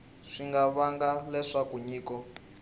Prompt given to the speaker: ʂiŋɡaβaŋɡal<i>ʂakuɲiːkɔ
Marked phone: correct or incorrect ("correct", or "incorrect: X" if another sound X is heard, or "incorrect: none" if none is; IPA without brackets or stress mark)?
incorrect: ɛ